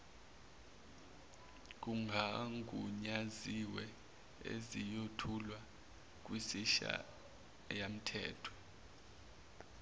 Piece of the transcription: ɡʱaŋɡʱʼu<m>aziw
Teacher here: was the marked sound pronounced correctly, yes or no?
no